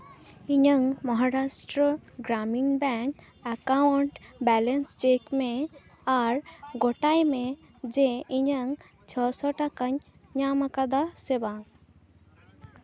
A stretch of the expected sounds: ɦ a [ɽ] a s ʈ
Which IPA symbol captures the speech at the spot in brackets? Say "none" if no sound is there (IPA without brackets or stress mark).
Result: ɾ